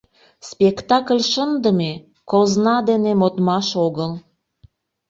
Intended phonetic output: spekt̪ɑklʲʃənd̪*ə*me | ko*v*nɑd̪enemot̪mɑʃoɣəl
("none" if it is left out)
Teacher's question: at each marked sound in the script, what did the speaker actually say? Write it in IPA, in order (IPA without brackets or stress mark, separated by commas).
ə, z